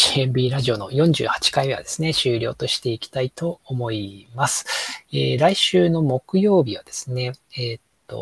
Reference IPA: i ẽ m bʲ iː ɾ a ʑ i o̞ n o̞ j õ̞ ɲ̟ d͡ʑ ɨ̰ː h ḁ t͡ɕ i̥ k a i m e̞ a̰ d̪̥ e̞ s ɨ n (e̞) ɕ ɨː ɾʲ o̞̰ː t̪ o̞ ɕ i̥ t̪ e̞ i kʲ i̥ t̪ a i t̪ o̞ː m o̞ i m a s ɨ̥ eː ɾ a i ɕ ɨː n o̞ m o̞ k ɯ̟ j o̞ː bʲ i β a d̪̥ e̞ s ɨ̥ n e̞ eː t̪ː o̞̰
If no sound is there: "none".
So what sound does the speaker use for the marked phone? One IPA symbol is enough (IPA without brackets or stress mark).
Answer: e̞